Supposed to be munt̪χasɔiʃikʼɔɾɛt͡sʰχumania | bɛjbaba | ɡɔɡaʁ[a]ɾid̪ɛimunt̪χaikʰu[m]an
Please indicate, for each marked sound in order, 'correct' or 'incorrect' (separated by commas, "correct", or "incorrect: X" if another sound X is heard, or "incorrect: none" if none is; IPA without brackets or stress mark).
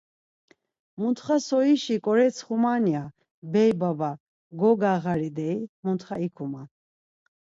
correct, correct